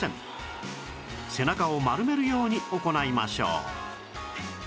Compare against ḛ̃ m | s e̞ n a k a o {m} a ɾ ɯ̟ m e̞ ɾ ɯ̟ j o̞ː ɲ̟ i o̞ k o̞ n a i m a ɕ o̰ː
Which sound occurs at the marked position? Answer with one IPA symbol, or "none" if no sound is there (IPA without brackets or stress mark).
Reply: m